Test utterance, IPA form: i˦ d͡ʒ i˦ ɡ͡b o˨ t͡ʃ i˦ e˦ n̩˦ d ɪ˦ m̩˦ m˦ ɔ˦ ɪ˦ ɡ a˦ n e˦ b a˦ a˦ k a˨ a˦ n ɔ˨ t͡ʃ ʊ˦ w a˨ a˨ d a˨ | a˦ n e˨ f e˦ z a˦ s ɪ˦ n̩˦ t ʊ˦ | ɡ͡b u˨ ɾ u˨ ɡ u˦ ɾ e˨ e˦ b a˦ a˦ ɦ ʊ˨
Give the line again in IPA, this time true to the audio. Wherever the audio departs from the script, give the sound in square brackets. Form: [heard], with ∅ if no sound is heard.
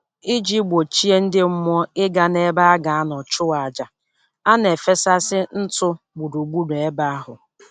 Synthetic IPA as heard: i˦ d͡ʒ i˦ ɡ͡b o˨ t͡ʃ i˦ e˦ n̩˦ d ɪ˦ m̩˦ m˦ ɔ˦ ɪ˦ ɡ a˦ n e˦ b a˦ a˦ [ɡ] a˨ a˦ n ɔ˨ t͡ʃ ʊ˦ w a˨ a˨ [d͡ʒ] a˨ | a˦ n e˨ f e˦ [s] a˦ s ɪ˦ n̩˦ t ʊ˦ | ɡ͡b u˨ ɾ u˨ [ɡ͡b] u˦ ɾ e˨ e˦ b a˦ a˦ ɦ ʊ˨